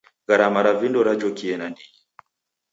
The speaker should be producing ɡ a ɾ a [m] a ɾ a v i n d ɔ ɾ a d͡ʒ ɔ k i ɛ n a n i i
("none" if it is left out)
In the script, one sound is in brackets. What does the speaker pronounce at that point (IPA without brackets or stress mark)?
m